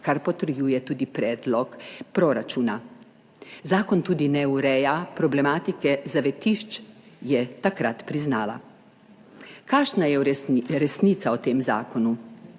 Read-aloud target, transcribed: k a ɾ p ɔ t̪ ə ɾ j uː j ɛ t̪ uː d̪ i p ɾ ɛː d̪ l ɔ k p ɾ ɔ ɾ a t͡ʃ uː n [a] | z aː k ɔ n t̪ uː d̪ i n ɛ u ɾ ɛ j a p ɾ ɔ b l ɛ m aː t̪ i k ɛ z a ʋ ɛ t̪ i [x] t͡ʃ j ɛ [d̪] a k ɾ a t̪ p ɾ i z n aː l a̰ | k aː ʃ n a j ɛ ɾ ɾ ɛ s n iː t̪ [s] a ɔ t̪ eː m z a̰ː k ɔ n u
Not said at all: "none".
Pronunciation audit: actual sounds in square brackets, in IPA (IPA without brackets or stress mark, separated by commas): a, ʃ, t̪, s